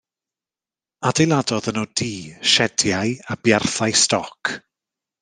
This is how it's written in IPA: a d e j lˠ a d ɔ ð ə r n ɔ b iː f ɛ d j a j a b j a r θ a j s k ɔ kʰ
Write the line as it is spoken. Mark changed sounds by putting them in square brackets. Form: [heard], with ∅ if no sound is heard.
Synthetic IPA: a d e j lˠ a d ɔ ð ə [∅] n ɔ [d] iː [ʃ] ɛ d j a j a b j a r θ a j s [t] ɔ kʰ